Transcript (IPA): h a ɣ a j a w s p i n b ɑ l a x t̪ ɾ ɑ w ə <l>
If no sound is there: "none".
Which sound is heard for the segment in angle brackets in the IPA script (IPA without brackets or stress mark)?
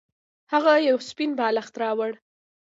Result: ɽ